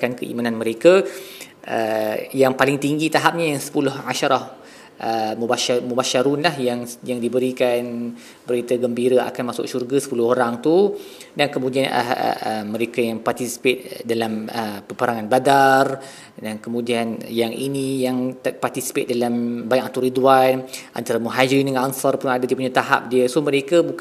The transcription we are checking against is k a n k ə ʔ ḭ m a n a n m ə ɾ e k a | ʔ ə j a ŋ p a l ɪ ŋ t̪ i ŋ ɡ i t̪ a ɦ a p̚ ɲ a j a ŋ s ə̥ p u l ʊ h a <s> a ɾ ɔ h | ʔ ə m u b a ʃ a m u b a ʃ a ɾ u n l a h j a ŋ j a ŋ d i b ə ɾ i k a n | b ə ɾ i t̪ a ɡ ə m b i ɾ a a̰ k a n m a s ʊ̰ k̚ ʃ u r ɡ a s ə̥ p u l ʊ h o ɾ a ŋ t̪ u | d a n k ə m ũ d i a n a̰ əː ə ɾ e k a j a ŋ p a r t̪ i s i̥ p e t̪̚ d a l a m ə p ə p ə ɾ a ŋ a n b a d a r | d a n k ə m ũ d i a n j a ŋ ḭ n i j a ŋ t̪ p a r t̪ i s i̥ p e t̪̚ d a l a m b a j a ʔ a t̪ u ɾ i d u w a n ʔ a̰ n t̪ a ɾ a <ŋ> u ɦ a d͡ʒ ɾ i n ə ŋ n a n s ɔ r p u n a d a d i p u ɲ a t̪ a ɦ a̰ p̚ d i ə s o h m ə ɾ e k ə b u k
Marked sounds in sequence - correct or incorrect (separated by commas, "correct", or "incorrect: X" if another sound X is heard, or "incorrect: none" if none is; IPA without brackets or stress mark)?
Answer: incorrect: ʃ, incorrect: m